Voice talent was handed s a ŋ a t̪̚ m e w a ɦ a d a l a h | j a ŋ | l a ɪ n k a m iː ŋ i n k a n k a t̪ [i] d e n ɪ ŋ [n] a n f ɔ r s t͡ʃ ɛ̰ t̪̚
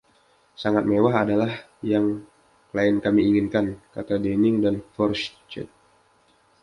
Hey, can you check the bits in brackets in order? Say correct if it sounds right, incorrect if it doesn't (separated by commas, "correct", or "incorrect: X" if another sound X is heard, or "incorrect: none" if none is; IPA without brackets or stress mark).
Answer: incorrect: a, incorrect: d